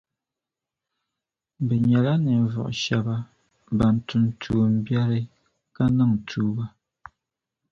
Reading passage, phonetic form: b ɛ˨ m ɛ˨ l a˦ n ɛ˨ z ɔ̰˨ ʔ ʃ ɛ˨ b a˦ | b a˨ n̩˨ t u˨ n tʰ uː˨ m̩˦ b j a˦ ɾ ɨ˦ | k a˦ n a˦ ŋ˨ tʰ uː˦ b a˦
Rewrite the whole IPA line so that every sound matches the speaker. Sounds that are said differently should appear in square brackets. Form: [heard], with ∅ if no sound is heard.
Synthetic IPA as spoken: b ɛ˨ [ɲ] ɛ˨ l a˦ n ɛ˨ [v] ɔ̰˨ ʔ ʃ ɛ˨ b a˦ | b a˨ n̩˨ t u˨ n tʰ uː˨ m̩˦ b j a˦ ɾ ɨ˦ | k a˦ n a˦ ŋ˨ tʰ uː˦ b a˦